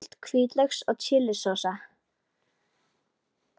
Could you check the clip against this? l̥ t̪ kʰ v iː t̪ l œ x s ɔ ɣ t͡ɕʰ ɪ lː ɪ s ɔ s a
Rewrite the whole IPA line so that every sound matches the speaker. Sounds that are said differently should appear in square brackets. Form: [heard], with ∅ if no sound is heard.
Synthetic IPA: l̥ t̪ kʰ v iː t̪ l œ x s ɔ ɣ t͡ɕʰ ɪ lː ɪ s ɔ s a